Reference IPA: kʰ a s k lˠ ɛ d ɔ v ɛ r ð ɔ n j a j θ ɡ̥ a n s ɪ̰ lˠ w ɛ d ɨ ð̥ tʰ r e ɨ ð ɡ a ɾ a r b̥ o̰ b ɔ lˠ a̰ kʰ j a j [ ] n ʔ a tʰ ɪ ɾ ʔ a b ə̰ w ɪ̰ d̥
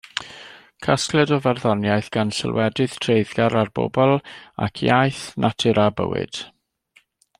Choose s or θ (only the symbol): θ